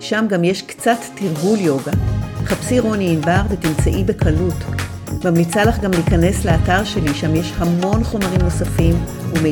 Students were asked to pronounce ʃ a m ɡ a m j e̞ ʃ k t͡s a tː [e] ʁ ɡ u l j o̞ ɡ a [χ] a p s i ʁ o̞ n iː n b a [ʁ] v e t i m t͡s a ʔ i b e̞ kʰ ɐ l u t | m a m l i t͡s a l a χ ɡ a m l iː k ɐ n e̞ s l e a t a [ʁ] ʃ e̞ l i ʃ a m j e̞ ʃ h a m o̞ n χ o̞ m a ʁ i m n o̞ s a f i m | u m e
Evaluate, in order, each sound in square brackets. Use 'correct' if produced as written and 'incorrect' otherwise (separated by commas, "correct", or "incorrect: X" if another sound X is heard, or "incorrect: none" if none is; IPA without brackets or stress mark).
incorrect: i, correct, correct, correct